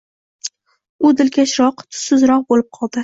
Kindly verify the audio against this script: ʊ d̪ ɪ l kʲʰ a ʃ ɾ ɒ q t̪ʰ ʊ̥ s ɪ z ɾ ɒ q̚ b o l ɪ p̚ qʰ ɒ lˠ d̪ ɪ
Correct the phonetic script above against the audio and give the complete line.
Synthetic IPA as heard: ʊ d̪ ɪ l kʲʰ a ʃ ɾ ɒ q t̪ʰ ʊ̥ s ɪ z ɾ ɒ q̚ b o l ɪ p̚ qʰ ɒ lˠ d̪ ɪ